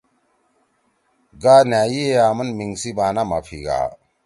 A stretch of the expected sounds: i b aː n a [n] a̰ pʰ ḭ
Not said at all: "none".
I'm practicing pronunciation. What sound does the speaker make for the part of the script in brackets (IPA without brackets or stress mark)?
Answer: m